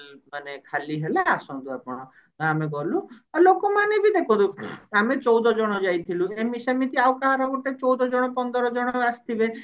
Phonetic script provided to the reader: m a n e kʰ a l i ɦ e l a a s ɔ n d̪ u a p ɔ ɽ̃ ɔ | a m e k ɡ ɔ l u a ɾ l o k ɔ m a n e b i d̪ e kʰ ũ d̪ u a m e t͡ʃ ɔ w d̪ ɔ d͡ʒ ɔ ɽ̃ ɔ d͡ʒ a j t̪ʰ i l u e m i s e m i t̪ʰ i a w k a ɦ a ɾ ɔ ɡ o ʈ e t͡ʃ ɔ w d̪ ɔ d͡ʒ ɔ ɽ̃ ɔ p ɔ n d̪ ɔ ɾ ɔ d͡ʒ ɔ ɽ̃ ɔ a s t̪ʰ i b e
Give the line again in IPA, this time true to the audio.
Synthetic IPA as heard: m a n e kʰ a l i ɦ e l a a s ɔ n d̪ u a p ɔ ɽ̃ ɔ | a m e ɡ ɔ l u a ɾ l o k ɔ m a n e b i d̪ e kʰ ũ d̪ u a m e t͡ʃ ɔ w d̪ ɔ d͡ʒ ɔ ɽ̃ ɔ d͡ʒ a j t̪ʰ i l u e m i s e m i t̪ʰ i a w k a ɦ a ɾ ɔ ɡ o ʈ e t͡ʃ ɔ w d̪ ɔ d͡ʒ ɔ ɽ̃ ɔ p ɔ n d̪ ɔ ɾ ɔ d͡ʒ ɔ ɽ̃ ɔ a s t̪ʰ i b e